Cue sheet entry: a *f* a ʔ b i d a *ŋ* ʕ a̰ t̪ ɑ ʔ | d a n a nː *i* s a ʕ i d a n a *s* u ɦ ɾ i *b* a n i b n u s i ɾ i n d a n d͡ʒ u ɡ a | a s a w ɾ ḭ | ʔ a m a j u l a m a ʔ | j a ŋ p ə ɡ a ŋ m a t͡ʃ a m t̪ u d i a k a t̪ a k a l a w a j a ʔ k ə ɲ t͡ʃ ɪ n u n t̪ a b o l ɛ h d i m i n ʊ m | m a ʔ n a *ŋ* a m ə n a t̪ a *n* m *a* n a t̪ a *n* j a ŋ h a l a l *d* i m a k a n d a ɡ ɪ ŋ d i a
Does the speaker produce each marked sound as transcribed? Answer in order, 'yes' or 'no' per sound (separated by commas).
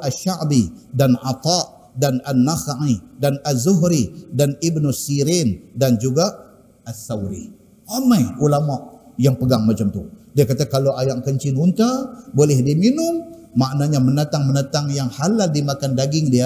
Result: no, no, no, no, no, no, no, no, no, yes